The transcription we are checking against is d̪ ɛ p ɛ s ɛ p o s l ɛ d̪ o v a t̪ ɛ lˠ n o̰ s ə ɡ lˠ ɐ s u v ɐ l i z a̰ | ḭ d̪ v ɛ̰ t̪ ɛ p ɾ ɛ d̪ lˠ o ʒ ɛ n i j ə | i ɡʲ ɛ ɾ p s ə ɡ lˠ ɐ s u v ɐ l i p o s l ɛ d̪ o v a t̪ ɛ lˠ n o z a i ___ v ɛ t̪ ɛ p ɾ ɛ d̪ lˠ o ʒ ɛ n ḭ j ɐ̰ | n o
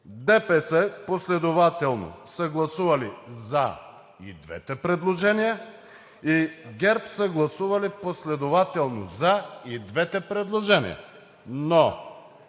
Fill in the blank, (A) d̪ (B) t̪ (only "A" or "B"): A